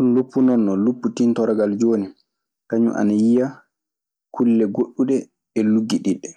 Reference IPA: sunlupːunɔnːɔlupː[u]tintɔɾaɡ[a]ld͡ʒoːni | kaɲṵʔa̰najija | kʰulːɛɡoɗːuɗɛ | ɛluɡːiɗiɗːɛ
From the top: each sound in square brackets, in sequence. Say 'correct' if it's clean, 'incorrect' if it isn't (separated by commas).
correct, correct